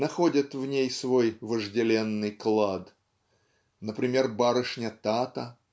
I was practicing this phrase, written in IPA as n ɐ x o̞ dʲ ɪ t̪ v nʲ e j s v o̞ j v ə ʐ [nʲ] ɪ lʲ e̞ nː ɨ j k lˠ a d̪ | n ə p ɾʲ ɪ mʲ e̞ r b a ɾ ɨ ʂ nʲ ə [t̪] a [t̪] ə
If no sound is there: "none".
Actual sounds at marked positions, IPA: dʲ, t̪, t̪

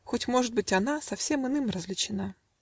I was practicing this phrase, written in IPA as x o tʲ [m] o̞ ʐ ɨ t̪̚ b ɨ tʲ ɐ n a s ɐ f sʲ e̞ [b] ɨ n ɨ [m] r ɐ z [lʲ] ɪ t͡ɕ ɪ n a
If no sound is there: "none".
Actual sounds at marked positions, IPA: m, m, m, lʲ

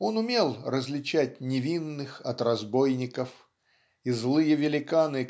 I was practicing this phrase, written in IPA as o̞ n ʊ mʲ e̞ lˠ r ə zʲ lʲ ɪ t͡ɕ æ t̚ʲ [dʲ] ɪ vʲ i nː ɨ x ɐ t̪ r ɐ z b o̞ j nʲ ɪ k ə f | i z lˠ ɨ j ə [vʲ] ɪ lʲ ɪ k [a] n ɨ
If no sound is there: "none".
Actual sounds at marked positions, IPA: nʲ, vʲ, a

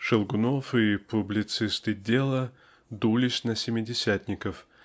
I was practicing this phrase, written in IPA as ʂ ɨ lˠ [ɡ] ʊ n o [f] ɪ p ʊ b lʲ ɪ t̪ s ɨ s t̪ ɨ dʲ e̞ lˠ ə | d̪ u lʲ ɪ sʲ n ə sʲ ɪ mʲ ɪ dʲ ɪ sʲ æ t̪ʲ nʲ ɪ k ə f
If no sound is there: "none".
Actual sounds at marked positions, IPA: ɡ, f

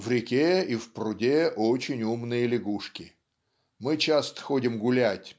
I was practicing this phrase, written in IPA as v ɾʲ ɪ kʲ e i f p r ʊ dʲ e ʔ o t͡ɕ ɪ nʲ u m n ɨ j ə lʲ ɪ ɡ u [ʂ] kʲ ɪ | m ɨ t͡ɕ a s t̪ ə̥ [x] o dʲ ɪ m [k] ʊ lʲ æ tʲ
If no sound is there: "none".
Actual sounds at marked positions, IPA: ʂ, x, ɡ

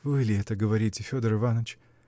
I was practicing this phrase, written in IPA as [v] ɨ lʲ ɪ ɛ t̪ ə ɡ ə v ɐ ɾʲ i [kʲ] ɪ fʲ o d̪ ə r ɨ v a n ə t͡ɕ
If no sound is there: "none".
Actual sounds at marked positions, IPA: v, tʲ

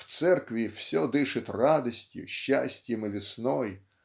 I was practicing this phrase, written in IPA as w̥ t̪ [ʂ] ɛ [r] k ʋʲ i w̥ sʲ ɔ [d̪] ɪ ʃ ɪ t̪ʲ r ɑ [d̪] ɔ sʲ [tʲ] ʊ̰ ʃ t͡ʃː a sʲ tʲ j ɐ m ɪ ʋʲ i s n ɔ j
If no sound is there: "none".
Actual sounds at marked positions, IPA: s, r, d̪, d̪, tʲ

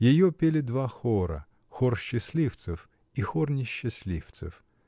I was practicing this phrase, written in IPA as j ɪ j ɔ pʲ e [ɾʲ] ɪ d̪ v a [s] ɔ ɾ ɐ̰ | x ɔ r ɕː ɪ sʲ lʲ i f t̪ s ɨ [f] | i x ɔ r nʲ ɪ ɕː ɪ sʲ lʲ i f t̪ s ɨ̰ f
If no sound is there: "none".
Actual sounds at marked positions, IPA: lʲ, x, f

